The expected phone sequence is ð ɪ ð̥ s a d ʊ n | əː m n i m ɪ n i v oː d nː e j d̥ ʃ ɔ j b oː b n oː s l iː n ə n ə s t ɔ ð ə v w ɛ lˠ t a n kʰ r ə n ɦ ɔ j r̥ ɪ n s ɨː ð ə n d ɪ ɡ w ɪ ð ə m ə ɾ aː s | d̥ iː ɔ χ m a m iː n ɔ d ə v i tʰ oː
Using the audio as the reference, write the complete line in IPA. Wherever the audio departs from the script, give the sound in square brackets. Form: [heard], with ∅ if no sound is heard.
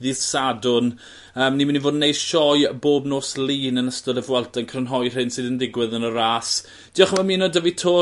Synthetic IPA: ð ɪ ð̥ s a d ʊ n | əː m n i m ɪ n i v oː d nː e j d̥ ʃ ɔ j b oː b n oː s l iː n ə n ə s t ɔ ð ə v w ɛ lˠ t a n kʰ r ə n ɦ ɔ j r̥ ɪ n s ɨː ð ə n d ɪ ɡ w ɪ ð ə [n] ə ɾ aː s | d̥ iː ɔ χ m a m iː n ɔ d ə v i tʰ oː